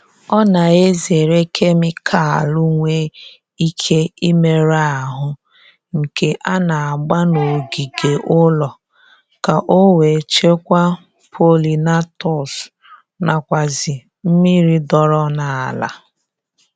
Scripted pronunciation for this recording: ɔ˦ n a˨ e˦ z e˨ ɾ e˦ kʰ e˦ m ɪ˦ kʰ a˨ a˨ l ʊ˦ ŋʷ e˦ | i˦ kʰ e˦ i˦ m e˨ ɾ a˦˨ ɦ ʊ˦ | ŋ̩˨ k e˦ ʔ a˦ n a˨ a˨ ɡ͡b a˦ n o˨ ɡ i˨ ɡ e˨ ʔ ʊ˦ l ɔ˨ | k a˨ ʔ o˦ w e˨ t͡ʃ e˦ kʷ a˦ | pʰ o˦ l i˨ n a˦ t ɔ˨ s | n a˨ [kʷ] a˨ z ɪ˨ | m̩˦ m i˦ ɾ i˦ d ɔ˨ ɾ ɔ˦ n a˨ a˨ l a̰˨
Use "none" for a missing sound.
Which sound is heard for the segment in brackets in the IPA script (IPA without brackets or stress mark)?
kʷ